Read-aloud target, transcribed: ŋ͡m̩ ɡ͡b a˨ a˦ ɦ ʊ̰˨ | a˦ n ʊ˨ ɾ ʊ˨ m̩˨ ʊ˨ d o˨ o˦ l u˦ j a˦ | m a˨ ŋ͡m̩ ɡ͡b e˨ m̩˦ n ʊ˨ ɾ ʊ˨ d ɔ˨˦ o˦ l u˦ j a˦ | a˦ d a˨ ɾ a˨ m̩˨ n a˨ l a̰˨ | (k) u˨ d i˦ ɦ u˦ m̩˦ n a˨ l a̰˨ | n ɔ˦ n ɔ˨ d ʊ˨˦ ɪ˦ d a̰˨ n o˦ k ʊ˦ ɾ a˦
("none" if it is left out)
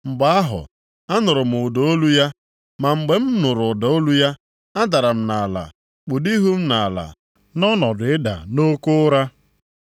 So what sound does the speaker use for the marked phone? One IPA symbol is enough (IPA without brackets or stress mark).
k͡p